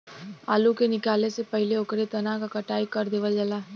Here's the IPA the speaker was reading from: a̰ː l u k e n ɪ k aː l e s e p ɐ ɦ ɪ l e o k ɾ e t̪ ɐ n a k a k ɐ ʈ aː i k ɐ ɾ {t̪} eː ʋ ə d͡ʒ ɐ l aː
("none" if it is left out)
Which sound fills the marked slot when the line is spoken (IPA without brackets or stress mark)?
d̪